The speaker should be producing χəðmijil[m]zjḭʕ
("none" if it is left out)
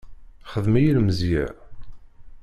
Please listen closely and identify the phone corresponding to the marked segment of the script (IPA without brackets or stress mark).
m